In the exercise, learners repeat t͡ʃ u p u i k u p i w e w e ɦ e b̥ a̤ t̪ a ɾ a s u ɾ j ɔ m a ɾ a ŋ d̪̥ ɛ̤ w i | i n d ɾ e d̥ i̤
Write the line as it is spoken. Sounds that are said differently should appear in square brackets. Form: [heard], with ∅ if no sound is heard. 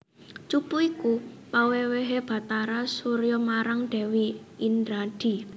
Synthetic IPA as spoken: t͡ʃ u p u i k u p [a] w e w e ɦ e b̥ a̤ t̪ a ɾ a s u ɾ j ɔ m a ɾ a ŋ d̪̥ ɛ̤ w i | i n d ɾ [a] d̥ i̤